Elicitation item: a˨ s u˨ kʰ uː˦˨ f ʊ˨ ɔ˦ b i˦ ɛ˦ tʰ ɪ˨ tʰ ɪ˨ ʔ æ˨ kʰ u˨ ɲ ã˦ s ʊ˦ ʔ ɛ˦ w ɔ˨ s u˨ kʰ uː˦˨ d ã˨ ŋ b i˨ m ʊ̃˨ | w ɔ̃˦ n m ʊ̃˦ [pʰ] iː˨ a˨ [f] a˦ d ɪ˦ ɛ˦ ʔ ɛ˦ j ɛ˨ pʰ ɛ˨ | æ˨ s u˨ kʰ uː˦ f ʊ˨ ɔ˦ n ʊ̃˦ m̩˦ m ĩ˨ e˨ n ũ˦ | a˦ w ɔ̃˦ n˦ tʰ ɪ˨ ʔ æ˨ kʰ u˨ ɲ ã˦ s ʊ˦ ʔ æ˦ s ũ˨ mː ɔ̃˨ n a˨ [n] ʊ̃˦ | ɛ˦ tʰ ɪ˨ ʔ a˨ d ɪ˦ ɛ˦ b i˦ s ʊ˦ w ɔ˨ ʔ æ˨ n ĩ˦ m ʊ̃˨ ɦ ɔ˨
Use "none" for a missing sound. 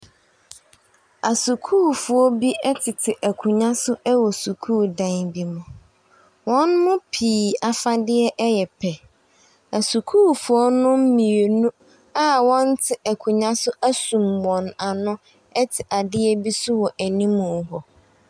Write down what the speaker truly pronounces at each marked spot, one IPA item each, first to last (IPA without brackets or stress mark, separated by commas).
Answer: pʰ, f, n